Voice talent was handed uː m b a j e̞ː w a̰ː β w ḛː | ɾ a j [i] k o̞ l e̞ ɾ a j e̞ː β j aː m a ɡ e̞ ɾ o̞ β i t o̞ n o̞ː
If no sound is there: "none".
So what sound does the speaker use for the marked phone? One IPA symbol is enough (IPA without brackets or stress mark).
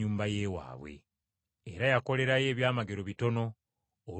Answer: a